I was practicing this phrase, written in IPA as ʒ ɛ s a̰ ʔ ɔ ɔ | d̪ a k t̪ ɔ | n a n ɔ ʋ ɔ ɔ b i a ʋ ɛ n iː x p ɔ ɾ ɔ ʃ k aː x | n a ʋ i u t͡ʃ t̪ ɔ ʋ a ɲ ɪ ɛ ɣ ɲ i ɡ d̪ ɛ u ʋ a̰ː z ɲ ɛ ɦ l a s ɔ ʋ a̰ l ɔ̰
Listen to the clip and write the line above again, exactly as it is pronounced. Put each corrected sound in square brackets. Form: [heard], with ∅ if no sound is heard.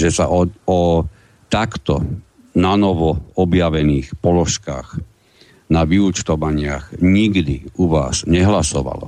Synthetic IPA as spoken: ʒ ɛ s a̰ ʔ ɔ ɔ | [t̪] a k t̪ ɔ | n a n ɔ ʋ ɔ ɔ b [j] a ʋ ɛ n iː x p ɔ [l] ɔ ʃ k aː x | n a ʋ i u t͡ʃ t̪ ɔ ʋ a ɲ ɪ [a] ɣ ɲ i ɡ d̪ [i] u ʋ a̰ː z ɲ ɛ ɦ l a s ɔ ʋ a̰ l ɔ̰